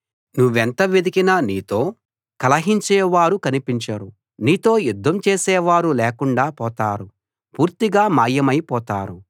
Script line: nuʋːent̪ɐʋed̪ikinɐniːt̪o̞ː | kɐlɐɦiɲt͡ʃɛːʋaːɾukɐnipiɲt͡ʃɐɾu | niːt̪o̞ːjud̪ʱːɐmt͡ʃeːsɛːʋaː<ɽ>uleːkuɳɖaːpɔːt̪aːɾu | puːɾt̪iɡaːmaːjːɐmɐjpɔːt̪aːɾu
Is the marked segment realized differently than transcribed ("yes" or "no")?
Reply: yes